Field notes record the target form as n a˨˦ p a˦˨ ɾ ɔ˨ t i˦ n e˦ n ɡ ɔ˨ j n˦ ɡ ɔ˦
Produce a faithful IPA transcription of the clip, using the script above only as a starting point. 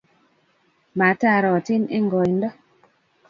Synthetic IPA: m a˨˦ t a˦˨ ɾ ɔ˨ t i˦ n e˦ ŋ ɡ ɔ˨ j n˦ d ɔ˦

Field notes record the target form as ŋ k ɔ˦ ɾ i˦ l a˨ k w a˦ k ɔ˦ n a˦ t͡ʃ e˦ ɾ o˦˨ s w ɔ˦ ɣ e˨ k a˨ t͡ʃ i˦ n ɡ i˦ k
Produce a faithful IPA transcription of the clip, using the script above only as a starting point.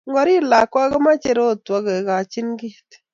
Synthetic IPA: ŋ ɡ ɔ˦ ɾ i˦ l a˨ k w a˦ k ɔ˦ m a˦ t͡ʃ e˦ ɾ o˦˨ t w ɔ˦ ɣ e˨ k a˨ t͡ʃ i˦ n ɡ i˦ t

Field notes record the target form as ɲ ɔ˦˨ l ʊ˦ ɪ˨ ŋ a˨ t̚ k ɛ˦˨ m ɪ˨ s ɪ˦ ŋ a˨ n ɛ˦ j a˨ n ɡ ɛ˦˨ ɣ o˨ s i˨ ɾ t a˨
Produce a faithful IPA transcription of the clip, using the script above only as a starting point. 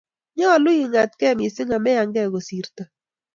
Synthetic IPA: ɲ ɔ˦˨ l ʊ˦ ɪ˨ ŋ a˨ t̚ k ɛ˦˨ m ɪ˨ s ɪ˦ ŋ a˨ m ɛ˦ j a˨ ŋ ɡ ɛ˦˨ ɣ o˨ s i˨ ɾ t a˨

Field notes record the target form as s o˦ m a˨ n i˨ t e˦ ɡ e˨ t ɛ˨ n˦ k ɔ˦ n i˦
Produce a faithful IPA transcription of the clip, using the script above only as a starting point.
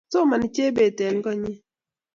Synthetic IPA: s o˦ m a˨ n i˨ t͡ʃ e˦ b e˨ t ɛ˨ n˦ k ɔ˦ ɲ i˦

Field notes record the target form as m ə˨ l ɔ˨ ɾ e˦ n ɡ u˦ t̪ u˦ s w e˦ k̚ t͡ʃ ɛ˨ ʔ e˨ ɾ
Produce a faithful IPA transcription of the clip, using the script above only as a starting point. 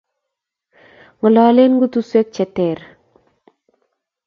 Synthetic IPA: ŋ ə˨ l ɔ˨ l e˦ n ɡ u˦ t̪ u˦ s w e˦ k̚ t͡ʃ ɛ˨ t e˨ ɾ

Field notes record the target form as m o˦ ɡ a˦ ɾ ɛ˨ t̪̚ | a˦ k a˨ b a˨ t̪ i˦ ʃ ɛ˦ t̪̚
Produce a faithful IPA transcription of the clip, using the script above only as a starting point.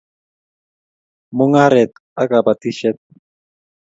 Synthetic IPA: m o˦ ŋ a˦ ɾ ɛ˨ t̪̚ | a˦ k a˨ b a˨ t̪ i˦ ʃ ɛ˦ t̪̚

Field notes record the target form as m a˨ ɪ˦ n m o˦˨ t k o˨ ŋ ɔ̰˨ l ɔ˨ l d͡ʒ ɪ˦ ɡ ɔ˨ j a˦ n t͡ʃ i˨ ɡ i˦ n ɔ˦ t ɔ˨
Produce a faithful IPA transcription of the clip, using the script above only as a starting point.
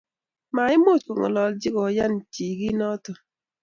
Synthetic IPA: m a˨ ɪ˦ m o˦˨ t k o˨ ŋ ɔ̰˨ l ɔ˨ l d͡ʒ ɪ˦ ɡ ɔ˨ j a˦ n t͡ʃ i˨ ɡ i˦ n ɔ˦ t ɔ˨

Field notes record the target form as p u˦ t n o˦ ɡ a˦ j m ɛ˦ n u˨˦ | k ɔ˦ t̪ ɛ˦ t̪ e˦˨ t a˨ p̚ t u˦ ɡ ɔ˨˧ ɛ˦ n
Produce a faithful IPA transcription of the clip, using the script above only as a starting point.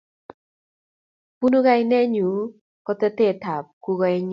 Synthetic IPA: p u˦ n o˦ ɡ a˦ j n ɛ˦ ɲ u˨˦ | k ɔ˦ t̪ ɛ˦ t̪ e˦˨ t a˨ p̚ k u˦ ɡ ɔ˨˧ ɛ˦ ɲ

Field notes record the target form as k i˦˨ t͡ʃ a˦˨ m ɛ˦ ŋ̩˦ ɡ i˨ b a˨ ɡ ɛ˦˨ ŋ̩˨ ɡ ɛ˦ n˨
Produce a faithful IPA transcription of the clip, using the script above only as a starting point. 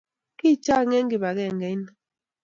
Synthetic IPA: k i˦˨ t͡ʃ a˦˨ ŋ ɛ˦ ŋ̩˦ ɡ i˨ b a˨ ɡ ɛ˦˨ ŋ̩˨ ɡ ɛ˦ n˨

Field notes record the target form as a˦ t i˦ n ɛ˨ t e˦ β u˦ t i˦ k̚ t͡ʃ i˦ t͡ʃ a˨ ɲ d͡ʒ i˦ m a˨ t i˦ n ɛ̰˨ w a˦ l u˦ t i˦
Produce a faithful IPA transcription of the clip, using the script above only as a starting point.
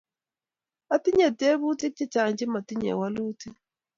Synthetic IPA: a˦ t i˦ ɲ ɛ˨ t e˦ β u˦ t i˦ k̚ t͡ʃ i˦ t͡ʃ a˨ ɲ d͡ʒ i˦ m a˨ t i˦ ɲ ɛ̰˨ w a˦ l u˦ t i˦

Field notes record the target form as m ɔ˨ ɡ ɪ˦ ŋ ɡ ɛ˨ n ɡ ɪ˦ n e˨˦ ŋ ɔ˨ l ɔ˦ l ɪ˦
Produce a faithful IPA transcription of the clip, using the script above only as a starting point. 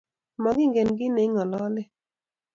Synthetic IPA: m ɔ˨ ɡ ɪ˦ ŋ ɡ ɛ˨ n ɡ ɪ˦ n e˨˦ ŋ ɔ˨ l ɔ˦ l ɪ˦

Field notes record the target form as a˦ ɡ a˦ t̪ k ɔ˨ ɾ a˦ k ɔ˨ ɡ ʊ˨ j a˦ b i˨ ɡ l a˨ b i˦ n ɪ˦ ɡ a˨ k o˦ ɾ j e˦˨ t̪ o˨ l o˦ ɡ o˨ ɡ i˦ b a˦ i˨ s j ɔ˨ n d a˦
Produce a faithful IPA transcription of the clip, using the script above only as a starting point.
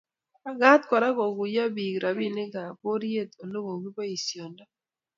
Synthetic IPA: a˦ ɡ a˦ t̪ k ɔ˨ ɾ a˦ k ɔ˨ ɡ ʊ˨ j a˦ b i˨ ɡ ɾ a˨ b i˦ n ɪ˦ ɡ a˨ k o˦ ɾ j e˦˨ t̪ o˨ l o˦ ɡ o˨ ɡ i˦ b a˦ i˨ s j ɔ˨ n d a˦

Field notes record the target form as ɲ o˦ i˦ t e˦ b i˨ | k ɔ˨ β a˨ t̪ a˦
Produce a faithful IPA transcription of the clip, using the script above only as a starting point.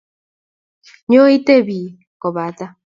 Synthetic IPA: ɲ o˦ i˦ t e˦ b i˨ | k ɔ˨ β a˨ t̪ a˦

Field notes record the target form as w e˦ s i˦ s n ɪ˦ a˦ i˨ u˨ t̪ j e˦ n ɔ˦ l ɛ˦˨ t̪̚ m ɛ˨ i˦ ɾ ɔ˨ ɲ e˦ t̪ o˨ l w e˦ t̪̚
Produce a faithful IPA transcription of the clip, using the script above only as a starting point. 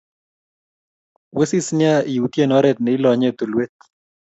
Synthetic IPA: w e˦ s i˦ s n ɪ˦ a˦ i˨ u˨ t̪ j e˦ n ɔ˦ ɾ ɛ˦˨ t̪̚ n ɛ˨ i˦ l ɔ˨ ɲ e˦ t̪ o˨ l w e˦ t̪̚

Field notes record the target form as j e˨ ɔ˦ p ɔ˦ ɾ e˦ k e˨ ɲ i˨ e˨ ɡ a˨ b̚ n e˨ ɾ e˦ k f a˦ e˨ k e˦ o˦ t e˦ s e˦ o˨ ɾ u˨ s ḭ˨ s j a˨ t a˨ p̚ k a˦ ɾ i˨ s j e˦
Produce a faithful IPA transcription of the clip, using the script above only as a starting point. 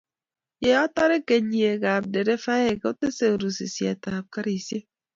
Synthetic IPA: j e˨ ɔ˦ t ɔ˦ ɾ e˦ k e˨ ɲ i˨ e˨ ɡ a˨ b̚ d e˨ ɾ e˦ f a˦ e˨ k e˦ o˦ t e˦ s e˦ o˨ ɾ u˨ s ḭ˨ s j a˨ t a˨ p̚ k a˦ ɾ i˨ s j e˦

